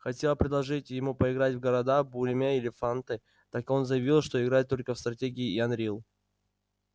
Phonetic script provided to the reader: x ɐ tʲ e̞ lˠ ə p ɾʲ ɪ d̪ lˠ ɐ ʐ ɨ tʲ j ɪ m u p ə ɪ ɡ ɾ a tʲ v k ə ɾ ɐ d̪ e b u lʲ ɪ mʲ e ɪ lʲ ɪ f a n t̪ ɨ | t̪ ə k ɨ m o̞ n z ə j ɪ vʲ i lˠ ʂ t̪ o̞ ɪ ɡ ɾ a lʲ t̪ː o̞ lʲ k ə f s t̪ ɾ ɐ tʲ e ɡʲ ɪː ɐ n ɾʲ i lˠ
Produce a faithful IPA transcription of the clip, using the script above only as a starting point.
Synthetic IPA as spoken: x ɐ tʲ e̞ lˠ ə p ɾʲ ɪ d̪ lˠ ɐ ʐ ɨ tʲ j ɪ m u p ə ɪ ɡ ɾ a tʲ v ɡ ə ɾ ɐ d̪ a b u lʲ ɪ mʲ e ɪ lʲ ɪ f a n t̪ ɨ | t̪ a k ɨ o̞ n z ə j ɪ vʲ i lˠ ʂ t̪ o̞ ɪ ɡ ɾ a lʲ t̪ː o̞ lʲ k ə f s t̪ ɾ ɐ tʲ e ɡʲ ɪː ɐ n ɾʲ i lˠ